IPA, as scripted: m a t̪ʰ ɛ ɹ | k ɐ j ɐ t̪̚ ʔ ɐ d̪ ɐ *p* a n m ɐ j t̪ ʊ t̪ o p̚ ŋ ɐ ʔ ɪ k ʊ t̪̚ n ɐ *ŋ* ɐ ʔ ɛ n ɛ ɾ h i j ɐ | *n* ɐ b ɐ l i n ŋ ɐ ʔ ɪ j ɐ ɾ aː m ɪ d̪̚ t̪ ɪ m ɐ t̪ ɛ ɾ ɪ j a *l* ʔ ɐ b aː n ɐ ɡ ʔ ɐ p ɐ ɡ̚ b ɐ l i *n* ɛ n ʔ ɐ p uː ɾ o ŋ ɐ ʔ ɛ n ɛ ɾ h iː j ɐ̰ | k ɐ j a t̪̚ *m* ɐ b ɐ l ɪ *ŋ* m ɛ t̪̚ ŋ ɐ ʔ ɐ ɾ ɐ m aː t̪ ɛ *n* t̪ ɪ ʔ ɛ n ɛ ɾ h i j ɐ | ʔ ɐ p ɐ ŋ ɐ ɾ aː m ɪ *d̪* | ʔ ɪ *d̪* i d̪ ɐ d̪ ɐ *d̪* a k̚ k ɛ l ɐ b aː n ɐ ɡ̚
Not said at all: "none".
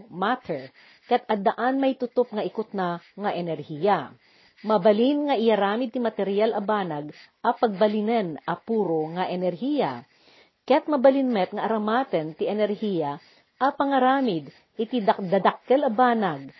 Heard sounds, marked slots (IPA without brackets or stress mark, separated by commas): ʔ, ŋ, m, l, n, m, n, n, d̪, t̪, d̪